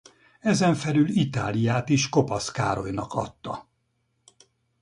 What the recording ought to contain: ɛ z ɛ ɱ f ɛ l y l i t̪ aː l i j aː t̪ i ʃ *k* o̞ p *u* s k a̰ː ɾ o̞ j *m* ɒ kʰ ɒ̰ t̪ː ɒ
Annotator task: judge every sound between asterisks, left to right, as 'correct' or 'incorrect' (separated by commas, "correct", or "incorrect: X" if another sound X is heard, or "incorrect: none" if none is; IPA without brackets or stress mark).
correct, incorrect: ɒ, incorrect: n